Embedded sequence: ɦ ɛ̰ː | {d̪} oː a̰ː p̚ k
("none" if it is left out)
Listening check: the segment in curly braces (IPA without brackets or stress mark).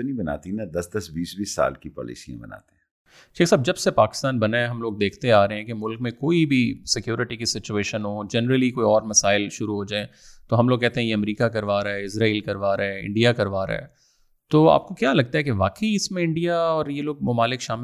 t̪